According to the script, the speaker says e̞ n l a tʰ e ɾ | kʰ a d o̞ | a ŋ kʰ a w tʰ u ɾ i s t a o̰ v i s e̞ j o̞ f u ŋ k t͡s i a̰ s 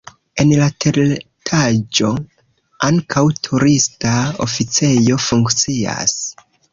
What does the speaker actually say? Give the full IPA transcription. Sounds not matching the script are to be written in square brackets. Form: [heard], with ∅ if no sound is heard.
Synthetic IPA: e̞ n l a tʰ e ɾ | [tʰ] a [d͡ʒ] o̞ | a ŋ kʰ a w tʰ u ɾ i s t a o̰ [f] i [t͡s] e̞ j o̞ f u ŋ k t͡s i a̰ s